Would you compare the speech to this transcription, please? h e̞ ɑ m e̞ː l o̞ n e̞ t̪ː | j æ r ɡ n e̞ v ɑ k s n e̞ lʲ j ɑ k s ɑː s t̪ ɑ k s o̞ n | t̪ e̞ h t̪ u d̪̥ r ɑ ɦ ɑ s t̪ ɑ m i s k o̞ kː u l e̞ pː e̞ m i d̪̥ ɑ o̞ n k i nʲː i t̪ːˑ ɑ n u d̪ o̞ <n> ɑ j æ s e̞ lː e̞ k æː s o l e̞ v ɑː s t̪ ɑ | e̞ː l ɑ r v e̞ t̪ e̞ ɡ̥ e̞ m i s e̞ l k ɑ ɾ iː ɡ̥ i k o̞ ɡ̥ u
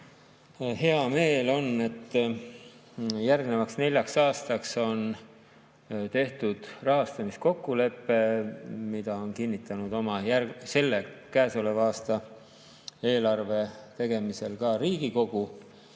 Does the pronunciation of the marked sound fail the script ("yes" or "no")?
yes